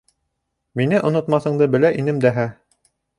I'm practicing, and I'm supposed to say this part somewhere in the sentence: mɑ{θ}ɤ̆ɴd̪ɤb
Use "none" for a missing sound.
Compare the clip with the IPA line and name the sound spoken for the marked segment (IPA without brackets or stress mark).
θ